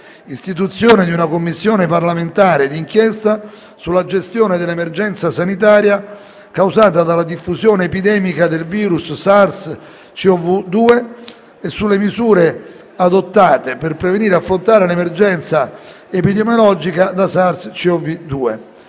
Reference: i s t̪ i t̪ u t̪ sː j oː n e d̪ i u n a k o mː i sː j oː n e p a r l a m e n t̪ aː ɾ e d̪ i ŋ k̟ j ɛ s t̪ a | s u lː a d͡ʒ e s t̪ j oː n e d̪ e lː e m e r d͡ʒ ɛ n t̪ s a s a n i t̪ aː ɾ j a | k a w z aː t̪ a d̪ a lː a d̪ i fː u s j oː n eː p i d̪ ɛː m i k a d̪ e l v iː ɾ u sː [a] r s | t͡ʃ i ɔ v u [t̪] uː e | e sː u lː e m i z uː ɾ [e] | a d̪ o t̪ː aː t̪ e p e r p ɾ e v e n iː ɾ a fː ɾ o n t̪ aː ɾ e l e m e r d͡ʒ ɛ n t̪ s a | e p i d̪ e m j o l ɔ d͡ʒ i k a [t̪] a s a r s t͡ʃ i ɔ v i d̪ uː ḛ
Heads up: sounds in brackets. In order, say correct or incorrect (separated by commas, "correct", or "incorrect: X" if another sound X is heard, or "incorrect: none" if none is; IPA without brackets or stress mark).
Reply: correct, incorrect: d̪, correct, incorrect: d̪